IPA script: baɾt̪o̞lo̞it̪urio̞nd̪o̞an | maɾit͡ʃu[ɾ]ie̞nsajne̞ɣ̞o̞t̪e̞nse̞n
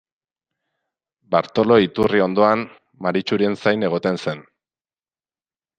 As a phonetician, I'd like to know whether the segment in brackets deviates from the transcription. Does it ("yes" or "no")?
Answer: no